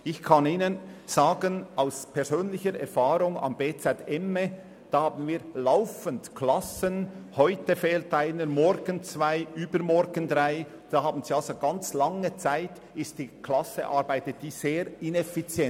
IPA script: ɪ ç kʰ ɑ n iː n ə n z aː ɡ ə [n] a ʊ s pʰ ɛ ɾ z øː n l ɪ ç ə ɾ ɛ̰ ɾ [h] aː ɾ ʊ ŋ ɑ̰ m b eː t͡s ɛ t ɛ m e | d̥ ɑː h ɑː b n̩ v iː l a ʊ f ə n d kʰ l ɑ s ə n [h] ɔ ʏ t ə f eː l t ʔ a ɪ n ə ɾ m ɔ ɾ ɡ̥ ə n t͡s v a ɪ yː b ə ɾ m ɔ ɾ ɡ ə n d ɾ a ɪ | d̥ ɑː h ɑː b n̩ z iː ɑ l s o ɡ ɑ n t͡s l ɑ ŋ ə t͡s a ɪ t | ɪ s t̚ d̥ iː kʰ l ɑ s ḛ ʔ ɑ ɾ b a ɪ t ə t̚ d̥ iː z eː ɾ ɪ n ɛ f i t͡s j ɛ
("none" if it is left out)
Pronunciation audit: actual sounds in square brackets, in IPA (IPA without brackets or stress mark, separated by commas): n, f, h